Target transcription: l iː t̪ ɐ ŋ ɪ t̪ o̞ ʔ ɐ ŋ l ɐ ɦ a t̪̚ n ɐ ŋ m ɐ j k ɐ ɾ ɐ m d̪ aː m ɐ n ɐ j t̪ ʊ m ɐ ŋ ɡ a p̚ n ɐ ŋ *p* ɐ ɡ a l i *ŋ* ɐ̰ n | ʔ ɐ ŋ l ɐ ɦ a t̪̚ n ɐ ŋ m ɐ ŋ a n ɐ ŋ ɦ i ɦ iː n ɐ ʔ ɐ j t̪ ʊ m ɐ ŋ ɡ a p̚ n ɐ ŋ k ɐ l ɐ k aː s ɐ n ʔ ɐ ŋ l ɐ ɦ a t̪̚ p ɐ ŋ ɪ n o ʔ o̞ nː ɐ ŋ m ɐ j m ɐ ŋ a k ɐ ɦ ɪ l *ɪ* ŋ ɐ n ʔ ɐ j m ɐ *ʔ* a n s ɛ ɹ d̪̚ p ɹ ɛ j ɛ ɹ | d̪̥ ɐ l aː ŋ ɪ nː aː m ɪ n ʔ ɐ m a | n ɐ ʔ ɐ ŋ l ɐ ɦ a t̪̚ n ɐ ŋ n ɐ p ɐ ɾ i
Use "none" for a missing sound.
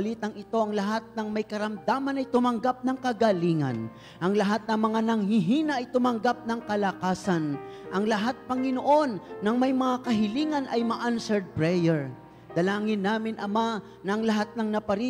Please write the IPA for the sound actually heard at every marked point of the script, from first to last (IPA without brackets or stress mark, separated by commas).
k, ŋ, i, ʔ